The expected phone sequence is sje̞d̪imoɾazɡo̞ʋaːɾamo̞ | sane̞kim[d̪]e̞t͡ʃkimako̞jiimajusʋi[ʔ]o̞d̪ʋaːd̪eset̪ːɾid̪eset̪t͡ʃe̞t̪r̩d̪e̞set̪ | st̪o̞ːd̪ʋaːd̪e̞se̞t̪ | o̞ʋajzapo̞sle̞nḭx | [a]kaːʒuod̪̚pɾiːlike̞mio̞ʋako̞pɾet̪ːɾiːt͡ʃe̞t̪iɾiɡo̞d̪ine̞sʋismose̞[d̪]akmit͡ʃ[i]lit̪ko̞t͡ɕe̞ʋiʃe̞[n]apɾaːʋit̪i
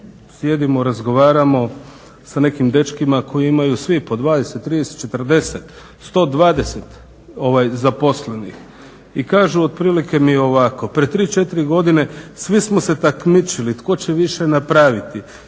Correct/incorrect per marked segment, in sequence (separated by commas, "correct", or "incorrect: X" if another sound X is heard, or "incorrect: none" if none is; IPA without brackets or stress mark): correct, incorrect: p, incorrect: i, incorrect: t̪, correct, correct